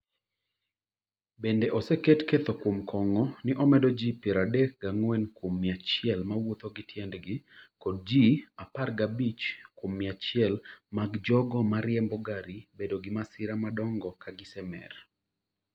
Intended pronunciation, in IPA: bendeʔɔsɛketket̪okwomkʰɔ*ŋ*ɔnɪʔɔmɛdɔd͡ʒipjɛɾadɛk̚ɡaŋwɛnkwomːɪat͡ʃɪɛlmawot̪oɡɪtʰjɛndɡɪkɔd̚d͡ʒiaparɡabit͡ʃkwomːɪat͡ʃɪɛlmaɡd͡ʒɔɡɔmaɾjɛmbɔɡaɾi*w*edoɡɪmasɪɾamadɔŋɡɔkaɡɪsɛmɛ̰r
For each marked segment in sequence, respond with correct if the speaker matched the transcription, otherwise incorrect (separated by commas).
correct, incorrect